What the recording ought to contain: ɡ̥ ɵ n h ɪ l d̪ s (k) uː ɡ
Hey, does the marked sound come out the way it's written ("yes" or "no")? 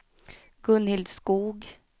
yes